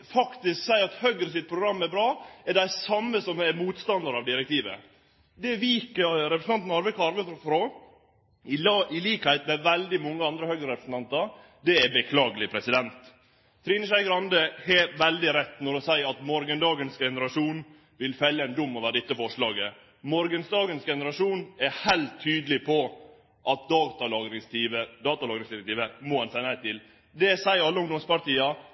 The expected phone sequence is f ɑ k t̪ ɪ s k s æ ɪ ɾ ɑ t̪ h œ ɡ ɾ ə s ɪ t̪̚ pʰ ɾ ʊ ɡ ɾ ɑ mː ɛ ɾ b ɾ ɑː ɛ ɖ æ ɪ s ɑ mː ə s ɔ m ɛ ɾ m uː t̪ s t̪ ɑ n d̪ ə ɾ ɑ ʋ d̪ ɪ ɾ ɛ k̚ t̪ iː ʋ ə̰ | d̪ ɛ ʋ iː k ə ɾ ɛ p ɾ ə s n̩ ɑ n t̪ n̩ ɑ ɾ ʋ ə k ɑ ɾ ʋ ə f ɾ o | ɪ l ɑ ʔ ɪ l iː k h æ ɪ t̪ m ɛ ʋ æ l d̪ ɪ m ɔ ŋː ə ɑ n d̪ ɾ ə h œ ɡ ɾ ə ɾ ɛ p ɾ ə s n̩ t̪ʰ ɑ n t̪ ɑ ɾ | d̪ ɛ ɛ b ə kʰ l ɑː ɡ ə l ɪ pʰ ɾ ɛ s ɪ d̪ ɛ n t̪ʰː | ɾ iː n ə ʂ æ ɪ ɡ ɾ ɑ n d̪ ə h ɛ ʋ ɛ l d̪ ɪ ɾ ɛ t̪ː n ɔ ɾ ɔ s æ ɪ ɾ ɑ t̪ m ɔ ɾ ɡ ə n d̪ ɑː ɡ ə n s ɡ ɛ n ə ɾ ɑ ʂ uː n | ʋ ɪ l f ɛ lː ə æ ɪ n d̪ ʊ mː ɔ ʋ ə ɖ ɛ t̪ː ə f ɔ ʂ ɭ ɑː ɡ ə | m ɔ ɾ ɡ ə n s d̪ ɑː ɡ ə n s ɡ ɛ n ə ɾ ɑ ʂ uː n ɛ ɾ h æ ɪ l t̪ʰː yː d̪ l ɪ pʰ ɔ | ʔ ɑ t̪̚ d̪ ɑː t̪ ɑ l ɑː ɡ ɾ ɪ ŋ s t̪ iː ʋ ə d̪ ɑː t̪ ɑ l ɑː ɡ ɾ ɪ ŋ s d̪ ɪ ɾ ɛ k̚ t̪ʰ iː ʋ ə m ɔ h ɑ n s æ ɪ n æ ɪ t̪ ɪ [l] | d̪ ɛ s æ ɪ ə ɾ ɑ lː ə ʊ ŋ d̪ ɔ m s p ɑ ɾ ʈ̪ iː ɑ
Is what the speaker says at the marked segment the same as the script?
yes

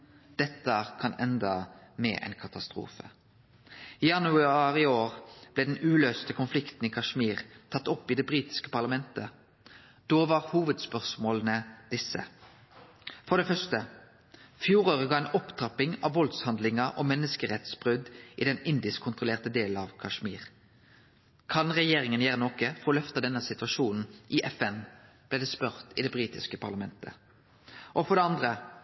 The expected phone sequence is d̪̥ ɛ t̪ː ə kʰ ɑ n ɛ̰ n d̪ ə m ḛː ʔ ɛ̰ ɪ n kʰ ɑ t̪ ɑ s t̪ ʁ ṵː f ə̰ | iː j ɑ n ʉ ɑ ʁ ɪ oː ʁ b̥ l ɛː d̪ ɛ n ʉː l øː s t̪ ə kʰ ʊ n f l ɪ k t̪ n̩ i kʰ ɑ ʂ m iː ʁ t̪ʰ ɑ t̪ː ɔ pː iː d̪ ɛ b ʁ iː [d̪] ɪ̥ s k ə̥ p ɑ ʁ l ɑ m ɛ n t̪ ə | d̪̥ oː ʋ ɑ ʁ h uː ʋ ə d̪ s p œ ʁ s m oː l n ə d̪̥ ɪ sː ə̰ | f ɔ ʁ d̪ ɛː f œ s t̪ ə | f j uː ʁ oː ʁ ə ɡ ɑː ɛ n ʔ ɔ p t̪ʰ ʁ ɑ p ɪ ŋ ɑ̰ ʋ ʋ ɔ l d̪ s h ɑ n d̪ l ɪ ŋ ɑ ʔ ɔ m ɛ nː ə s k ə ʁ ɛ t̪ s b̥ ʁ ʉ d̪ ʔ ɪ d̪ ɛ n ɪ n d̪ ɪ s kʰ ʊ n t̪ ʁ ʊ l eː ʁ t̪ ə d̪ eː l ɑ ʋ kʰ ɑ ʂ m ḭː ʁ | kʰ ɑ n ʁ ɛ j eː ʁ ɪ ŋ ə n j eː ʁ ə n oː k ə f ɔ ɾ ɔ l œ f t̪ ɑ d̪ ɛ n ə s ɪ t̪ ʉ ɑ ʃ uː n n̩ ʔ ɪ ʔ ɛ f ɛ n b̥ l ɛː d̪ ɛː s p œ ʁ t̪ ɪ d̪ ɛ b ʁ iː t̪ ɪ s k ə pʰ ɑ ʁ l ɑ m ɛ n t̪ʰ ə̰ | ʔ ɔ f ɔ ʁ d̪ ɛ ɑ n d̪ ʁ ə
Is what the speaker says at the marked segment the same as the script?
no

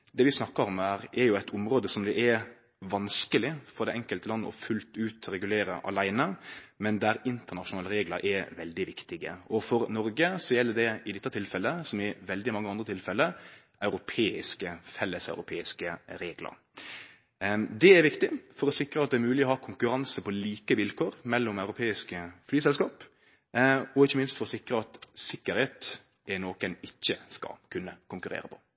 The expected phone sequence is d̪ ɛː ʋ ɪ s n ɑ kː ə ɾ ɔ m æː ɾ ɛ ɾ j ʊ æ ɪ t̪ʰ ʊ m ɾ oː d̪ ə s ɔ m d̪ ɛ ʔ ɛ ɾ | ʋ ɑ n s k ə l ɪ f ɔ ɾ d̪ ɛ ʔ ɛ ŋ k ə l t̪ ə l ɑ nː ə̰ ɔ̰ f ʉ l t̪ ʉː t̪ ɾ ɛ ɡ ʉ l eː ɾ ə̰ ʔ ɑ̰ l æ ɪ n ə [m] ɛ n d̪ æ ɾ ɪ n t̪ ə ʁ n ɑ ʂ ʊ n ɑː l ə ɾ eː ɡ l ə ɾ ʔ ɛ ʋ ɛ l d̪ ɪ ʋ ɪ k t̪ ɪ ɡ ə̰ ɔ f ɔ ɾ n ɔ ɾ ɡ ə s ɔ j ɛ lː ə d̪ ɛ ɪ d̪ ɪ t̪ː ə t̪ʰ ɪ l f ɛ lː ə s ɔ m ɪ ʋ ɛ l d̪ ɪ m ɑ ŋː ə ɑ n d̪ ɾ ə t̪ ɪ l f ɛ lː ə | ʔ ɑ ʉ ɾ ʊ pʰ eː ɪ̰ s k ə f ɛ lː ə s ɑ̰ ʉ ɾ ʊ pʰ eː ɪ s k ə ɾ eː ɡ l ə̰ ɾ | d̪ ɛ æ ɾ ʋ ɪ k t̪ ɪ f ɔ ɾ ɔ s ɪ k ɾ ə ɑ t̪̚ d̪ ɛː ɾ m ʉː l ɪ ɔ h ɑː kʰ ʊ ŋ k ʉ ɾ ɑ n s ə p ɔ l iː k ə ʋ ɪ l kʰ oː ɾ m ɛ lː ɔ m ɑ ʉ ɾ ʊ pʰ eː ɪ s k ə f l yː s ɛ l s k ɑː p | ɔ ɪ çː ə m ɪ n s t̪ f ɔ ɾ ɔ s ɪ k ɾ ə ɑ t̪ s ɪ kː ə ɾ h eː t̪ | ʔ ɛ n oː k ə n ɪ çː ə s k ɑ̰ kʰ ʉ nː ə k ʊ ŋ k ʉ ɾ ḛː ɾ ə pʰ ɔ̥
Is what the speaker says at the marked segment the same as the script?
yes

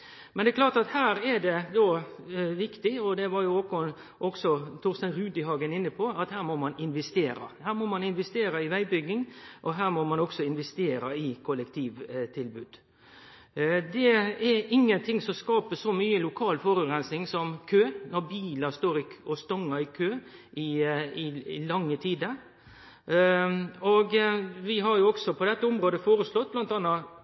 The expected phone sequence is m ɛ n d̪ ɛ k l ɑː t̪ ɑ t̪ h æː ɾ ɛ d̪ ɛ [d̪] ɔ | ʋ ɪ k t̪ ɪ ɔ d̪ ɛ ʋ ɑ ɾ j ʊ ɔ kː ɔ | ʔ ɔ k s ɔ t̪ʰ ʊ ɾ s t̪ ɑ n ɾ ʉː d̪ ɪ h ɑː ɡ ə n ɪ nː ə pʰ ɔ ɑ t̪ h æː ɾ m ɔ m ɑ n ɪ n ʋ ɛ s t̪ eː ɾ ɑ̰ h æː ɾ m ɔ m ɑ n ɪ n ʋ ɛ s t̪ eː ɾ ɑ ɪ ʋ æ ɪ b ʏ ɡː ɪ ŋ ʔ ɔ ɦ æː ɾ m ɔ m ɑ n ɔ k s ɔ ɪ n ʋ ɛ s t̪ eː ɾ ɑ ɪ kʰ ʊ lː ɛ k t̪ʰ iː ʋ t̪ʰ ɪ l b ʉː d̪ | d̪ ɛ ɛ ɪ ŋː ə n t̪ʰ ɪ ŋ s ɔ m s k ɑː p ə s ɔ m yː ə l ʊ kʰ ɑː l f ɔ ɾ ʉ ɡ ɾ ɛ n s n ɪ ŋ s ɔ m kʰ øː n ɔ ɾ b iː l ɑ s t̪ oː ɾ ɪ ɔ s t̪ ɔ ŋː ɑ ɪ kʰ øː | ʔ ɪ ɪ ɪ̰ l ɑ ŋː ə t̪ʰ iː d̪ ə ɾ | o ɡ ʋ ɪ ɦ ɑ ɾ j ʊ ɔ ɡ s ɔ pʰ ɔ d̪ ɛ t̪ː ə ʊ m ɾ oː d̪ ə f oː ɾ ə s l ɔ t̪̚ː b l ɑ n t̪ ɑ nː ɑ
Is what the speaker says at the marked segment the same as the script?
yes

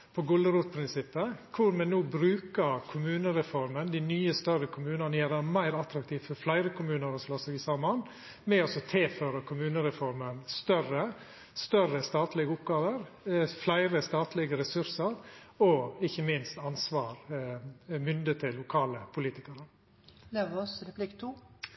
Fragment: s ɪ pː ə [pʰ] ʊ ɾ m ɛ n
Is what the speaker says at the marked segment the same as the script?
no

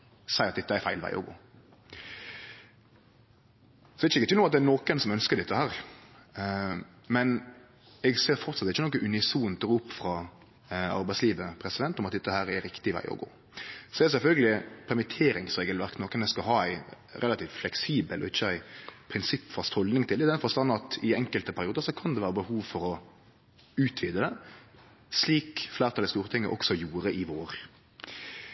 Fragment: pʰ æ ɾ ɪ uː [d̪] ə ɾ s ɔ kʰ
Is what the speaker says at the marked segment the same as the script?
yes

